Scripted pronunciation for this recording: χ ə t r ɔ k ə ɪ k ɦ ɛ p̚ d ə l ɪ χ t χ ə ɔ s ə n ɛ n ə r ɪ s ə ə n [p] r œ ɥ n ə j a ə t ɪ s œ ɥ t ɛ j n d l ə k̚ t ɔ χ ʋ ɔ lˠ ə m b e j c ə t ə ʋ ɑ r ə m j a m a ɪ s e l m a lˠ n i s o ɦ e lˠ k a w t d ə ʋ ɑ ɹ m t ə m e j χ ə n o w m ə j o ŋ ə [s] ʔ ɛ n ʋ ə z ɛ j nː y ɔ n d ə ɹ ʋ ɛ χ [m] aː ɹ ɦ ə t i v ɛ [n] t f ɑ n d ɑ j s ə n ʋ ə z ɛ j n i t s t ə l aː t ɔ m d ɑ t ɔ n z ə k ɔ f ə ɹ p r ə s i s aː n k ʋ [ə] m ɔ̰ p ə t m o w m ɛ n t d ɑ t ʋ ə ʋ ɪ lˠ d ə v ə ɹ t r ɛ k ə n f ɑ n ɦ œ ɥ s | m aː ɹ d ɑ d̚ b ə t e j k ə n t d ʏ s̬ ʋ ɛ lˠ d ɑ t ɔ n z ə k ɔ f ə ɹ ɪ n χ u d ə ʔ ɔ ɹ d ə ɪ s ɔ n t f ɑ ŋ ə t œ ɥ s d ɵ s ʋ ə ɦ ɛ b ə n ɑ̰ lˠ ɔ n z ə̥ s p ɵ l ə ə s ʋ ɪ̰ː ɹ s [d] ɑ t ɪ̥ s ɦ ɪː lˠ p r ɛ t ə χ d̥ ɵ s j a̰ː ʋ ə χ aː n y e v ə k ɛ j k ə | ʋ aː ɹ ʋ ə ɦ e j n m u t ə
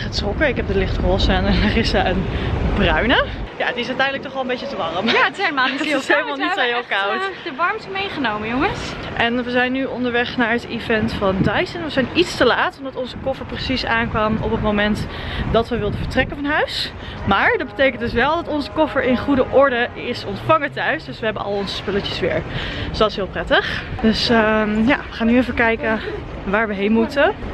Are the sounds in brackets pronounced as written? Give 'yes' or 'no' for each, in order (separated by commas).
no, yes, no, yes, no, yes